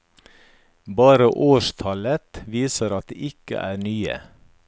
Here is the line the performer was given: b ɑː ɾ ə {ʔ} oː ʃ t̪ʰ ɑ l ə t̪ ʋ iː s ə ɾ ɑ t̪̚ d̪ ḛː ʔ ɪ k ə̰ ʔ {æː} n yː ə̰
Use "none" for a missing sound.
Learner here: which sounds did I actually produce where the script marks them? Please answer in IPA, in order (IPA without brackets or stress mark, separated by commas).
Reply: ʔ, æː